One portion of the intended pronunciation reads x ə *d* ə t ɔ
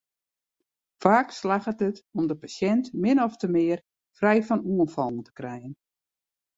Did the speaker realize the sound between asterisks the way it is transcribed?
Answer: no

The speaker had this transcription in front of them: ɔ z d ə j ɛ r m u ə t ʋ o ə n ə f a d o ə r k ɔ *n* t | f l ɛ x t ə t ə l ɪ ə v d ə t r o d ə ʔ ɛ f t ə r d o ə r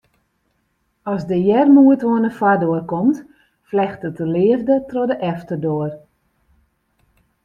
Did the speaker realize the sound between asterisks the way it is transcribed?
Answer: no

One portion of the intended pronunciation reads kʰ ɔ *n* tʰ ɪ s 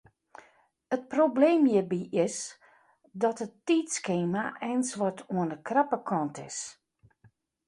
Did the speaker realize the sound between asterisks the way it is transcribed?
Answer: yes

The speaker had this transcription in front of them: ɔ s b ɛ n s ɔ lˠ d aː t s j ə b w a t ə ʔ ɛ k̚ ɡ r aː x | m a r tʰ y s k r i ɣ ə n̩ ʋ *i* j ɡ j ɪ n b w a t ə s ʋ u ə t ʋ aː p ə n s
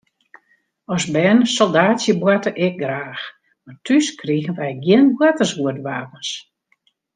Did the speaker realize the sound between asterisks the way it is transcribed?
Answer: no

